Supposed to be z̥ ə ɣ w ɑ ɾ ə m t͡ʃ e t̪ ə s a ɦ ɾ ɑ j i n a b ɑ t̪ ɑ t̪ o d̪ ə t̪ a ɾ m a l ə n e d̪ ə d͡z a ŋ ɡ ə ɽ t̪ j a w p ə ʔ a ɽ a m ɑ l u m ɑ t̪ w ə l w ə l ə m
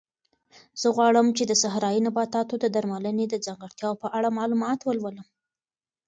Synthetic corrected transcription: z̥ ə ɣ w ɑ ɽ ə m t͡ʃ e d̪ ə s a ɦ ɾ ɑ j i n a b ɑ t̪ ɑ t̪ o d̪ ə d̪ a ɾ m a l ə n e d̪ ə d͡z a ŋ ɡ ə ɽ t̪ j ɑ w p ə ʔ a ɽ a m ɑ l u m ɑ t̪ w ə l w ə l ə m

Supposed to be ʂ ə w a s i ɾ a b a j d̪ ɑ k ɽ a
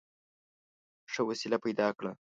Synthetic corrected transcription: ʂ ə w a s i l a p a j d̪ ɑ k ɽ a

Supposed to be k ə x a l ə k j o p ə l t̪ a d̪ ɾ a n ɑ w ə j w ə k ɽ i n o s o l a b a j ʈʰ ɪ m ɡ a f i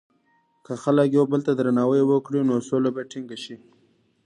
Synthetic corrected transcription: k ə x a l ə k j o b ə l t̪ a d̪ ɾ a n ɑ w ə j w ə k ɽ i n o s o l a b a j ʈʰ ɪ ŋ ɡ a ʃ i

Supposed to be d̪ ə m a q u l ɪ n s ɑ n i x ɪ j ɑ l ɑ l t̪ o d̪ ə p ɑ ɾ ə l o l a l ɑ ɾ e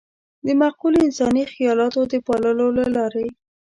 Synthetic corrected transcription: d̪ ə m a q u l ɪ n s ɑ n i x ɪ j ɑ l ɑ t̪ o d̪ ə p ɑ l ə l o l a l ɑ ɾ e

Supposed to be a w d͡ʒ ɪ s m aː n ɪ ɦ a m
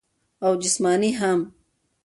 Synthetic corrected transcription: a w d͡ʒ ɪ s m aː n i ɦ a m

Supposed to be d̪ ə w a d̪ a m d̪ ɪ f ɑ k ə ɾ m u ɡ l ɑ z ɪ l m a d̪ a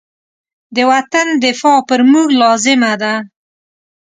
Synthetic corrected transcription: d̪ ə w a t̪ a n d̪ ɪ f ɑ p ə ɾ m u ɡ l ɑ z ɪ m a d̪ a

